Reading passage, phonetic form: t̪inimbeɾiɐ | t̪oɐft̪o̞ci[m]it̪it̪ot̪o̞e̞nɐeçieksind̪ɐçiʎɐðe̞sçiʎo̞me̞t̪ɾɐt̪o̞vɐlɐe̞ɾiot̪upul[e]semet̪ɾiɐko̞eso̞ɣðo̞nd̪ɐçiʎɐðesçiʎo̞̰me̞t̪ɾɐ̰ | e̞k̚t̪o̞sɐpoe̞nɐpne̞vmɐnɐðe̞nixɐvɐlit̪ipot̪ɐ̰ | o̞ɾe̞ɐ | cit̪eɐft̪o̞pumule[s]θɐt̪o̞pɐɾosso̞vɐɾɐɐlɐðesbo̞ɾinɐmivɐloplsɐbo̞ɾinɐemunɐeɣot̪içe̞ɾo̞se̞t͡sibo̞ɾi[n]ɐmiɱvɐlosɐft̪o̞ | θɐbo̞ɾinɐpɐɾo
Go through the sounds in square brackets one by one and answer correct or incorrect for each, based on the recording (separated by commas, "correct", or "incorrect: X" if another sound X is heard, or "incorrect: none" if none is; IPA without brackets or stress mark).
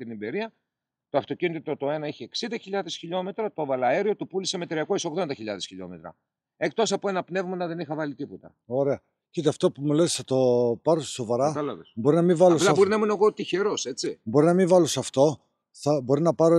incorrect: n, incorrect: i, correct, correct